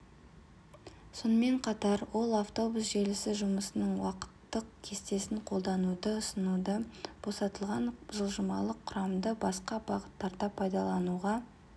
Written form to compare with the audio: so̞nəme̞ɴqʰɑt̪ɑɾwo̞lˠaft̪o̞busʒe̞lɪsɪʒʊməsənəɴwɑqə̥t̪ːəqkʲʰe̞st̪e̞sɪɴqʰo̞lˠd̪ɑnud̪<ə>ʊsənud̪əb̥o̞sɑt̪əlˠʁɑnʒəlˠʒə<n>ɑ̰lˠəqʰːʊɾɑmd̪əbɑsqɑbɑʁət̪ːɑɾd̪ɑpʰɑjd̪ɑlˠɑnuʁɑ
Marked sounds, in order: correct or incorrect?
correct, incorrect: m

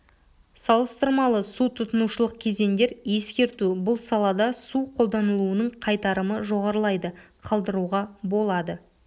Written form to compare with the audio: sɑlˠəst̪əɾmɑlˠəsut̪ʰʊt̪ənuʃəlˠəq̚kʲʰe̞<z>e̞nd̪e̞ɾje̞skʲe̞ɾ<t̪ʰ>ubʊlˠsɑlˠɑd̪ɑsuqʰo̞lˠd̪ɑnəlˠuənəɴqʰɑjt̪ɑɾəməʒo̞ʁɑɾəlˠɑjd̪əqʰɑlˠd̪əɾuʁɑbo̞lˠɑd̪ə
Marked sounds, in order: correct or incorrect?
correct, incorrect: t̪

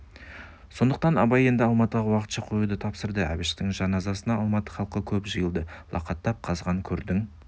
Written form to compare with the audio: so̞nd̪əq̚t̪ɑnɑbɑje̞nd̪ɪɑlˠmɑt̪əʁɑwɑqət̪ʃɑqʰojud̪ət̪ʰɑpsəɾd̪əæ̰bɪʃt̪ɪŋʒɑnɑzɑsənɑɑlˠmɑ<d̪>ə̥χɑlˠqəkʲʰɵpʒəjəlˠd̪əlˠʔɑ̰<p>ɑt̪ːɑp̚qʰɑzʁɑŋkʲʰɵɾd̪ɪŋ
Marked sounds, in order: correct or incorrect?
incorrect: t̪, incorrect: q

